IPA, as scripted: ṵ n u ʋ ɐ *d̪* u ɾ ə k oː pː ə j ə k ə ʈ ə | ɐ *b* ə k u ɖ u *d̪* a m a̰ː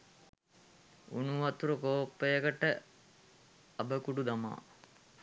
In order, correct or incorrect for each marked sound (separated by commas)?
incorrect, correct, correct